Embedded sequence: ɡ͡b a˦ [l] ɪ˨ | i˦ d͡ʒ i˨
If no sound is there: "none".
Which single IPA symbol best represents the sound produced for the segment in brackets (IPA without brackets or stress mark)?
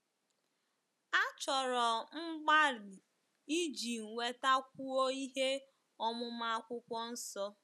ɾ